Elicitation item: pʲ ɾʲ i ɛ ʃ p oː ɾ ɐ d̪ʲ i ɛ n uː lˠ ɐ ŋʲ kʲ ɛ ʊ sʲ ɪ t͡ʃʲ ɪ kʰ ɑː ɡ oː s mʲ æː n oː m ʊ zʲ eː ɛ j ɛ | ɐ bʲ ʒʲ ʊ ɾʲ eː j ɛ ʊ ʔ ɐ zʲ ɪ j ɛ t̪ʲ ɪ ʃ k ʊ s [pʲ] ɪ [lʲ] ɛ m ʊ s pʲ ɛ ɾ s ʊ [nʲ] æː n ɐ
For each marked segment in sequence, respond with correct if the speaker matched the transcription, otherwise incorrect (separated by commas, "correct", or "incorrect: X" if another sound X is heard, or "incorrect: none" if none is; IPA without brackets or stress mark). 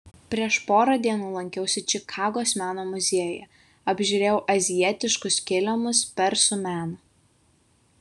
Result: incorrect: kʲ, correct, incorrect: mʲ